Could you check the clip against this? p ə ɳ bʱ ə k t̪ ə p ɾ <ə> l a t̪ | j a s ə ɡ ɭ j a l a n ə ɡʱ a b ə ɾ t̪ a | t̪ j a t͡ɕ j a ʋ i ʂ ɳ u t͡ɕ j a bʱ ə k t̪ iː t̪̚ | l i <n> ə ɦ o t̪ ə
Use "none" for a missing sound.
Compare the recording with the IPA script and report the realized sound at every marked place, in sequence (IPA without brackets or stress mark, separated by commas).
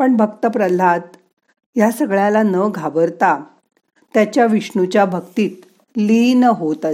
ə, n